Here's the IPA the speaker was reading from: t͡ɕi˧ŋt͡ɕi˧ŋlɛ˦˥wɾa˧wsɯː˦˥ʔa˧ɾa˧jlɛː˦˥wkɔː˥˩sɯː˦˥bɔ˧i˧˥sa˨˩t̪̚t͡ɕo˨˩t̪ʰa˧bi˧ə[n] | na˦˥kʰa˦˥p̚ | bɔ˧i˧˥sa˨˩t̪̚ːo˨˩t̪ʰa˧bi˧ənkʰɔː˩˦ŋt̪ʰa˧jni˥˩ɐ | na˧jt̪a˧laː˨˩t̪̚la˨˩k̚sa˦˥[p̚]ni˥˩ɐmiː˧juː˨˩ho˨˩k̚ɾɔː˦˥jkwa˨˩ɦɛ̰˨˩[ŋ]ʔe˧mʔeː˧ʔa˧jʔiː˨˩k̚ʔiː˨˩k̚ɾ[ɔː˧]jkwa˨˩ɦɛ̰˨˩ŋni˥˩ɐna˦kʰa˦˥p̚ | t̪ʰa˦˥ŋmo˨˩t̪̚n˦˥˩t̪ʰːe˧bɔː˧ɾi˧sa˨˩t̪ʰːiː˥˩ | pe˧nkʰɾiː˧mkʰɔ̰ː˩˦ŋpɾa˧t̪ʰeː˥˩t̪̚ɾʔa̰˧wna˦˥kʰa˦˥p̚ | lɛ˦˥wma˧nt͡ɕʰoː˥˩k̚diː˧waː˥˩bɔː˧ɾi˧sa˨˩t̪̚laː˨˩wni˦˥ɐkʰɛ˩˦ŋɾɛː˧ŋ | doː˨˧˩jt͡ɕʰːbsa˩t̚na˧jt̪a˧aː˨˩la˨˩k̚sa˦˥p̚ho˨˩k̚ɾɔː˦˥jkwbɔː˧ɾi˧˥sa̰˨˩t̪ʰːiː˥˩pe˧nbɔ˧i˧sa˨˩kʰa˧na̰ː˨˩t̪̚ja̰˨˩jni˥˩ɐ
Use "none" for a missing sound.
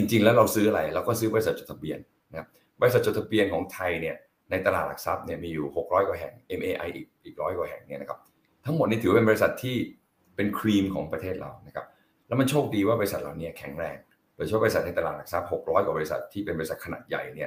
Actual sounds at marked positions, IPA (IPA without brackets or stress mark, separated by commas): n, p̚, ŋ, ɔː˦˥